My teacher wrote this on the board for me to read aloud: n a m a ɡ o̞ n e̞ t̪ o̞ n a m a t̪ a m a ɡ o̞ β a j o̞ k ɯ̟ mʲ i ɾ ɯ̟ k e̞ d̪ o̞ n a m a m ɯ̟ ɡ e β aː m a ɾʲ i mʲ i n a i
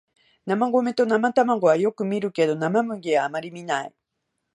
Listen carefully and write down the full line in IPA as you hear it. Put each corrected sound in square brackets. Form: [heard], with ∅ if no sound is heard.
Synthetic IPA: n a m a ɡ o̞ [m] e̞ t̪ o̞ n a m a t̪ a m a ɡ o̞ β a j o̞ k ɯ̟ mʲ i ɾ ɯ̟ k e̞ d̪ o̞ n a m a m ɯ̟ ɡ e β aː m a ɾʲ i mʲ i n a i